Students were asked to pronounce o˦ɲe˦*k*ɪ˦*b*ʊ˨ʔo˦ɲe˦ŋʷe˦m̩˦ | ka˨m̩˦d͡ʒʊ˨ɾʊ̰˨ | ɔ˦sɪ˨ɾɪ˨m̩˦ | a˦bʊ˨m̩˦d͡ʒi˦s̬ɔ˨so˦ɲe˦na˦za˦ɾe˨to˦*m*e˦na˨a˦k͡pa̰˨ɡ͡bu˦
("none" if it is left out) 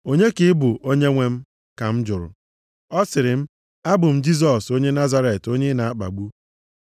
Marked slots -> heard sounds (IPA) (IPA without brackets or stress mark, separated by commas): k, b, ɲ